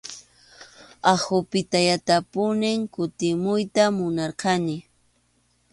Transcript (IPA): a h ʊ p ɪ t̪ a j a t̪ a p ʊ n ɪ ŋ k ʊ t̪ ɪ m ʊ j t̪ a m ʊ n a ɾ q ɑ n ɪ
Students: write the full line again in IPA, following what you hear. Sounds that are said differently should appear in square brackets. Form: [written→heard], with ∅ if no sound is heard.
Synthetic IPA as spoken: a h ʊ p ɪ t̪ a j a t̪ a p ʊ n ɪ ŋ k ʊ t̪ ɪ m ʊ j t̪ a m ʊ n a ɾ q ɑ n ɪ